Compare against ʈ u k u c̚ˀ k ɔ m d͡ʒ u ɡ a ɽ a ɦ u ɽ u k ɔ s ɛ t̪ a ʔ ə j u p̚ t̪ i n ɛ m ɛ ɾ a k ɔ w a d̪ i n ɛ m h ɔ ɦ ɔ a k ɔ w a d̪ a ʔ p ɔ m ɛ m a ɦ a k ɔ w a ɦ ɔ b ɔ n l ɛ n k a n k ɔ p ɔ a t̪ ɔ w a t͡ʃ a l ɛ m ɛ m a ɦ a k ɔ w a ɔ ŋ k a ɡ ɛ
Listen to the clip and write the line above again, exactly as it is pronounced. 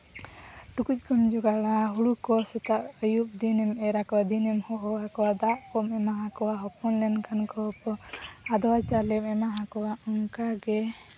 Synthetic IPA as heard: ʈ u k u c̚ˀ k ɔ m d͡ʒ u ɡ a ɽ a ɦ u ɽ u k ɔ s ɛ t̪ a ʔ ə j u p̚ d̪ i n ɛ m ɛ ɾ a k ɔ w a d̪ i n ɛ m h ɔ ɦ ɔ a k ɔ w a d̪ a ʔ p ɔ m ɛ m a ɦ a k ɔ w a ɦ ɔ p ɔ n l ɛ n k a n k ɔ p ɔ a d̪ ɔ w a t͡ʃ a l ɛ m ɛ m a ɦ a k ɔ w a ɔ ŋ k a ɡ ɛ

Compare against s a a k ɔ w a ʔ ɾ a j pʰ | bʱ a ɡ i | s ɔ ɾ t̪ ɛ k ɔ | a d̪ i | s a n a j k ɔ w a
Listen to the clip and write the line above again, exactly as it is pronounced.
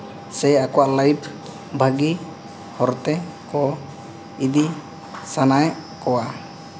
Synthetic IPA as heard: s ɛ a k ɔ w a ʔ l a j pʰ | bʱ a ɡ i | h ɔ ɾ t̪ ɛ k ɔ | i d̪ i | s a n a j k ɔ w a

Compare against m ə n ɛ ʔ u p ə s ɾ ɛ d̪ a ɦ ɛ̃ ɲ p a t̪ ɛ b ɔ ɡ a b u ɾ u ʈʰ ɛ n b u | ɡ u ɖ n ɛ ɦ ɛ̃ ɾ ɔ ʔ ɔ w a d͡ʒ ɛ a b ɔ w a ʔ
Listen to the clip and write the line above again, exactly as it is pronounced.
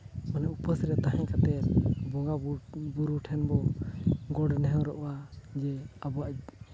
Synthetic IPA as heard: m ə n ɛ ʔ u p ə s ɾ ɛ t̪ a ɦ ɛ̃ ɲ k a t̪ ɛ b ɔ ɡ a b u ɾ u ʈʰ ɛ n b ɔ | ɡ ɔ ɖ n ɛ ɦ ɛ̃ ɾ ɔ ʔ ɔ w a d͡ʒ ɛ a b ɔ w a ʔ

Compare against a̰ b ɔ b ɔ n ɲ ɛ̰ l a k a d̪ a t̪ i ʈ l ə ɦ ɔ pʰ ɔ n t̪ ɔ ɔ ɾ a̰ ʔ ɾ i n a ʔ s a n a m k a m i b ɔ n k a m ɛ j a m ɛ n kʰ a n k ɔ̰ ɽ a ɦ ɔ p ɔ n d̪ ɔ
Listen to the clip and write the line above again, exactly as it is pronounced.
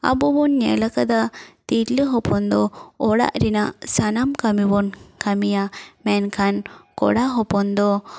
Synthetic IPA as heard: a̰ b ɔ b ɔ n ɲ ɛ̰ l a k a d̪ a t̪ i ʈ l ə ɦ ɔ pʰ ɔ n d̪ ɔ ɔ ɽ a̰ ʔ ɾ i n a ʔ s a n a m k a m i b ɔ n k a m i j a m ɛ n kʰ a n k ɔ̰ ɽ a ɦ ɔ p ɔ n d̪ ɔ

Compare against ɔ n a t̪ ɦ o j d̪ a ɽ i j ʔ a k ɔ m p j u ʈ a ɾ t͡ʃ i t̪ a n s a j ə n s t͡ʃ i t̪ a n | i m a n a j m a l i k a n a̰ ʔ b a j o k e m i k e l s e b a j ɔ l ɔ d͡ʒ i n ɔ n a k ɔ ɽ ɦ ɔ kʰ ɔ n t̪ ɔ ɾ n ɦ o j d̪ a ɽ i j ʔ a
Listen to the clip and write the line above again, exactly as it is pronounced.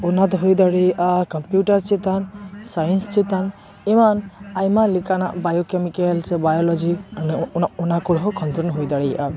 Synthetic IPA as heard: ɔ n a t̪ ɦ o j d̪ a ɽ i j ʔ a k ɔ m p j u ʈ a ɾ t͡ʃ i t̪ a n s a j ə n s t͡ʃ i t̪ a n | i m a n a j m a l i k a n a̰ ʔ b a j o k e m i k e l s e b a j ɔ l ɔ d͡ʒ i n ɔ n a k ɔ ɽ ɦ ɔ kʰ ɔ n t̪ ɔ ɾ n ɦ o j d̪ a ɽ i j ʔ a

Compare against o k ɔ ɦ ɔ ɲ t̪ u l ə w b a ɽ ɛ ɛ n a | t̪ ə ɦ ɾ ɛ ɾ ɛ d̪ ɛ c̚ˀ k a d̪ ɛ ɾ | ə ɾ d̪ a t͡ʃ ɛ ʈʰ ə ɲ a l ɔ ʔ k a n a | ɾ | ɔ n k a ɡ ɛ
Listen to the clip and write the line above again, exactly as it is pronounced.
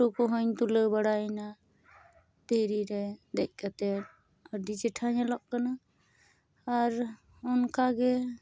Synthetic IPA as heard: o k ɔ ɦ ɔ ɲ t̪ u l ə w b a ɽ a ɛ n a | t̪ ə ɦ ɾ i ɾ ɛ d̪ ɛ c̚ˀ k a t̪ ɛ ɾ | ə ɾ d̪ i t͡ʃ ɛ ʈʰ a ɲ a l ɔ ʔ k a n a | ɾ | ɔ n k a ɡ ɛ

